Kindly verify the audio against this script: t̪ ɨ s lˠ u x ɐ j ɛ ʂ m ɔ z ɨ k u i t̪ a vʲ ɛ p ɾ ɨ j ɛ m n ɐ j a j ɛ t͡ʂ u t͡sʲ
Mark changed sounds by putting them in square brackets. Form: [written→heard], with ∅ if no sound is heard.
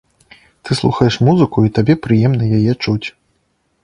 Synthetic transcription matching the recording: t̪ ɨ s lˠ u x ɐ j ɛ ʂ m [ɔ→u] z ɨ k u i t̪ a [vʲ→bʲ] ɛ p ɾ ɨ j ɛ m n ɐ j a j ɛ t͡ʂ u t͡sʲ